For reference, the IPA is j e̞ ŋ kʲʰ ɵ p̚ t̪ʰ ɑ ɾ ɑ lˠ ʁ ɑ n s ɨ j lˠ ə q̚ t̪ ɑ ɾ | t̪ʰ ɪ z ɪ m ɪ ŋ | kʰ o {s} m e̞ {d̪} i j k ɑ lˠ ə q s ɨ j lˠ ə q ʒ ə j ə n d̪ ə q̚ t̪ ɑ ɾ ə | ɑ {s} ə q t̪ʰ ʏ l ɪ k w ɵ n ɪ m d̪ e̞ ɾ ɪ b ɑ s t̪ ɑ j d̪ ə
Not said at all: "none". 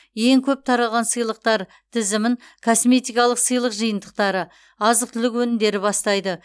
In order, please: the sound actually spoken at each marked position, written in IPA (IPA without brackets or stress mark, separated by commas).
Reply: s, t̪, z